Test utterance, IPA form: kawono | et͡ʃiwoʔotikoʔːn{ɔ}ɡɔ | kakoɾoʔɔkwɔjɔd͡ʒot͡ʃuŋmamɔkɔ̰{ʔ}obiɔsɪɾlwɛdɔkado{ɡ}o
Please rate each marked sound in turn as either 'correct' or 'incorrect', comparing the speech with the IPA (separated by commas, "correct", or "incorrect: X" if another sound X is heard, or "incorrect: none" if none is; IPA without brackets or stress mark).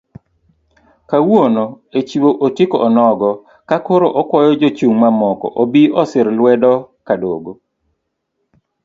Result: correct, correct, correct